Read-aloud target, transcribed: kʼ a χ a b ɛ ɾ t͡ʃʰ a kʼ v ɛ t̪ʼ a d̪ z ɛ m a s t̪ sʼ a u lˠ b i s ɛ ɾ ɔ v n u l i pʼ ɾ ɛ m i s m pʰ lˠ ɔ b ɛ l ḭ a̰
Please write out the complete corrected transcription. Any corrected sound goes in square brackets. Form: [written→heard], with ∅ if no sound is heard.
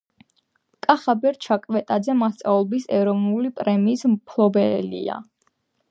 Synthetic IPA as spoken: kʼ a χ a b ɛ ɾ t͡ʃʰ a kʼ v ɛ t̪ʼ a d̪ z ɛ m a s t̪ sʼ a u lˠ b i s ɛ ɾ ɔ v n u l i pʼ ɾ ɛ m [i→iː] s m pʰ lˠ ɔ b ɛ l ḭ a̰